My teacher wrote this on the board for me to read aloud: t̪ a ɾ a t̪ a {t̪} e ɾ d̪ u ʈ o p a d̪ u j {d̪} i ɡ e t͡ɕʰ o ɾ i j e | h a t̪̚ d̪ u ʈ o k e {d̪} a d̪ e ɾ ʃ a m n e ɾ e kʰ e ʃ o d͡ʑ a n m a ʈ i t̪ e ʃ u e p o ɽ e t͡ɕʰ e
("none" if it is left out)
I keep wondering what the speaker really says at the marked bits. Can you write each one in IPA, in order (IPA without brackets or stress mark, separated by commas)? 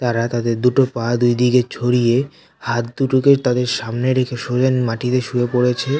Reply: d̪, d̪, t̪